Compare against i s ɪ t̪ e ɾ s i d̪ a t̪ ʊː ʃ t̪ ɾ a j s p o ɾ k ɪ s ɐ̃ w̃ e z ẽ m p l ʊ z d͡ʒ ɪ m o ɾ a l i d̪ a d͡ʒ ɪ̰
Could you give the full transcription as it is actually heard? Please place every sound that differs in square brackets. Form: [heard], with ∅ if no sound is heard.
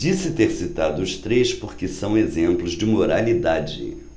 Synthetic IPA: i s ɪ t̪ e ɾ s i [t̪] a [d̪] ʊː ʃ t̪ ɾ [e] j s p o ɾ k ɪ s ɐ̃ w̃ e z ẽ m p l ʊ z d͡ʒ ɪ m o ɾ a l i d̪ a d͡ʒ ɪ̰

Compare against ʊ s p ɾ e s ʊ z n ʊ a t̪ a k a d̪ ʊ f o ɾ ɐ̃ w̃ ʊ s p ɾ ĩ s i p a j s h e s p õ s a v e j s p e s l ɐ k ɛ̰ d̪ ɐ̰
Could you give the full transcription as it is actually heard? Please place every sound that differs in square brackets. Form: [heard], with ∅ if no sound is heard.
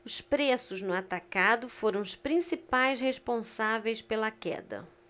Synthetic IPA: ʊ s p ɾ e s ʊ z n ʊ a t̪ a k a d̪ ʊ f o ɾ ɐ̃ w̃ ʊ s p ɾ ĩ s i p a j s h e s p õ s a v e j s p e [∅] l ɐ k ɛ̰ d̪ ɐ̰

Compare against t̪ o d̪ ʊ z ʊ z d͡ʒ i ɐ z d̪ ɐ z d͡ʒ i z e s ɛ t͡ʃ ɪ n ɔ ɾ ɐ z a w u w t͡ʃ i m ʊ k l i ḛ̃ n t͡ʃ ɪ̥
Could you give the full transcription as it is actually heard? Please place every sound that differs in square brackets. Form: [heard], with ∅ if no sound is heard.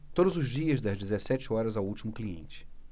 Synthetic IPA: t̪ o d̪ ʊ z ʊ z d͡ʒ i ɐ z d̪ ɐ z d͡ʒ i z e s ɛ t͡ʃ ɪ [∅] ɔ ɾ ɐ z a w u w t͡ʃ i m ʊ k l i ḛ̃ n t͡ʃ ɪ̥

